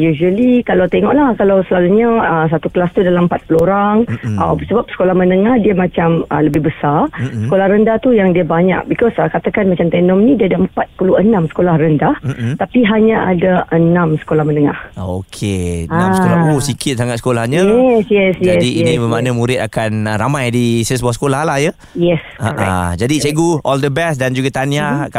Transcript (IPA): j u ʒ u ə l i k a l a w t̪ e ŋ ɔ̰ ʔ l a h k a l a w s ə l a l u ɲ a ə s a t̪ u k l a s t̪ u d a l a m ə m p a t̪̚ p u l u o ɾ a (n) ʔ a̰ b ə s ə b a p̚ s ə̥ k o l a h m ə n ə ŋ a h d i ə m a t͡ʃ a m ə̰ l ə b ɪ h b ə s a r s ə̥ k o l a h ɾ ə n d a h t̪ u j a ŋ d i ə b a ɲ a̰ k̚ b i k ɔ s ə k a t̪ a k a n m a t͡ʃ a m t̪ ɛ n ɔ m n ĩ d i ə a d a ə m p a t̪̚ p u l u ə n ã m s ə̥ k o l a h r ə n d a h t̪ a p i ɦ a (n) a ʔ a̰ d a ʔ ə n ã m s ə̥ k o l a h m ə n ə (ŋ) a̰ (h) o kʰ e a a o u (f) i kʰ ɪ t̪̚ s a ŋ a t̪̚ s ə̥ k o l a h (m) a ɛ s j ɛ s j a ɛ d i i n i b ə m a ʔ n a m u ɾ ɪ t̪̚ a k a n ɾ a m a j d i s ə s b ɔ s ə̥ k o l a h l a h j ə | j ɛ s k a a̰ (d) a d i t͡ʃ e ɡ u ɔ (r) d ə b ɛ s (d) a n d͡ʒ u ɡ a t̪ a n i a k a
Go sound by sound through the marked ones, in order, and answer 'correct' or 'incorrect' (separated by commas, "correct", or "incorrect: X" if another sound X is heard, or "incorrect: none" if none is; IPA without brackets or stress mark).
incorrect: ŋ, incorrect: ɲ, correct, correct, incorrect: s, incorrect: ɲ, incorrect: d͡ʒ, incorrect: l, correct